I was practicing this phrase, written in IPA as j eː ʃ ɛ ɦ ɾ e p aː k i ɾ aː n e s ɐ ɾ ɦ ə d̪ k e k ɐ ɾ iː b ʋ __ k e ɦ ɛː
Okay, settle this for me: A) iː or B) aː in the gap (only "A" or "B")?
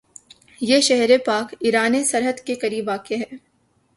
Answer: B